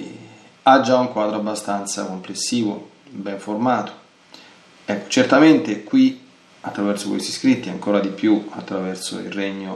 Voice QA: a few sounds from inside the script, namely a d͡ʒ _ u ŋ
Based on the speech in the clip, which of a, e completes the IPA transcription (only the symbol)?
a